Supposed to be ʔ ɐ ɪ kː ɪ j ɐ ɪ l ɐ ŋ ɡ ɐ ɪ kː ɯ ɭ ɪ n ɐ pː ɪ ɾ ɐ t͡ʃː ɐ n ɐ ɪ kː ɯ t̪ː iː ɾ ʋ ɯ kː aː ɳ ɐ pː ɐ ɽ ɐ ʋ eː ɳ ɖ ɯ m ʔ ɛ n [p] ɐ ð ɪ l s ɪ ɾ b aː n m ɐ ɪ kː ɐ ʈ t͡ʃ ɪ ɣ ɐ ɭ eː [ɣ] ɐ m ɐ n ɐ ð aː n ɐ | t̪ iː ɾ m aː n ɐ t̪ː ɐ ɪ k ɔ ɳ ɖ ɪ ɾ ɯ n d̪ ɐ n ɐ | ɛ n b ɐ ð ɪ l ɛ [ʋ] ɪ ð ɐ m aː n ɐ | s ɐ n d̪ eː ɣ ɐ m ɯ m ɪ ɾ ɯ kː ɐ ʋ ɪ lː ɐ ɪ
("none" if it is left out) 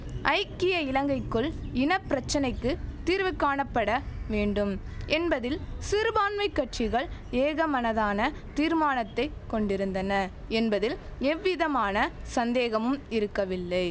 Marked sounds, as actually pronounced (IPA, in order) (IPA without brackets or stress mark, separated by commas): b, ɣ, ʋː